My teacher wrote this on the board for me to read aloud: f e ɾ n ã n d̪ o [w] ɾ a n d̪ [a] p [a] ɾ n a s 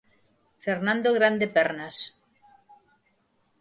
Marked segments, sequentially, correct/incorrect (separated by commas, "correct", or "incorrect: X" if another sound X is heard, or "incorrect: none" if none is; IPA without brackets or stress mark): incorrect: ɣ, incorrect: e, incorrect: ɛ